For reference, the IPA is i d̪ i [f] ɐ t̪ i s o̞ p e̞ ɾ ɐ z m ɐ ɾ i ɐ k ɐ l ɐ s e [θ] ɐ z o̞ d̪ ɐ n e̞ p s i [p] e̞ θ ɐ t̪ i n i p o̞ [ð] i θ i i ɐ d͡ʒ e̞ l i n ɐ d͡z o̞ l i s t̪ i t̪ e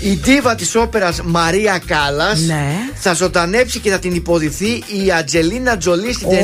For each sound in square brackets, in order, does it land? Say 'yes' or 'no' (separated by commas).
no, yes, no, yes